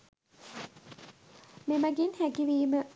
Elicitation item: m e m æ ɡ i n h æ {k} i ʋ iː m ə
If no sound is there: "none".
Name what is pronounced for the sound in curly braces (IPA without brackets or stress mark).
ɡ